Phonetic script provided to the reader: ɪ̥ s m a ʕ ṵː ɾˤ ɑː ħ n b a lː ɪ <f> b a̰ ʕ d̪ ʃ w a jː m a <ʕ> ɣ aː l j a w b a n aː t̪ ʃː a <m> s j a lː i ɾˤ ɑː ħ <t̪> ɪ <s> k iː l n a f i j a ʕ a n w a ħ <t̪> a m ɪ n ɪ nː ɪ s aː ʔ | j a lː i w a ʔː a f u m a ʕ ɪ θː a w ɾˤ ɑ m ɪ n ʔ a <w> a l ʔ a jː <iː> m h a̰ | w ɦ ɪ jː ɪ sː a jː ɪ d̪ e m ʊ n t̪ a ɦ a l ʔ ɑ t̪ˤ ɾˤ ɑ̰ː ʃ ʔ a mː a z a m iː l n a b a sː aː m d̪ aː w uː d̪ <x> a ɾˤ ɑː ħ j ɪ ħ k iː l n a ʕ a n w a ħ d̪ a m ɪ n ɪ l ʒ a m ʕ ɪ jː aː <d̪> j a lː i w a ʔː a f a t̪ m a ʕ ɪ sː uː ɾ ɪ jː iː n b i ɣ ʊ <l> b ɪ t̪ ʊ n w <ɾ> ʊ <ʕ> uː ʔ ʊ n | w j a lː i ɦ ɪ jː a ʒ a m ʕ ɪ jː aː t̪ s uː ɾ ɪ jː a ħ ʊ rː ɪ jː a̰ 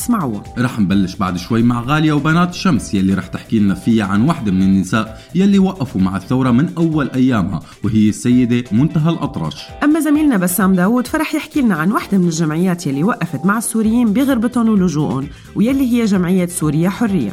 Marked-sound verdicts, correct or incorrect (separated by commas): incorrect, correct, correct, correct, incorrect, incorrect, incorrect, incorrect, incorrect, incorrect, incorrect, incorrect, incorrect